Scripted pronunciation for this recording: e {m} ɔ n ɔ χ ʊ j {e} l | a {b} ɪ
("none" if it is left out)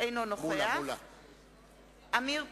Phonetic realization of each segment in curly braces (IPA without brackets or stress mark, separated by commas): n, a, m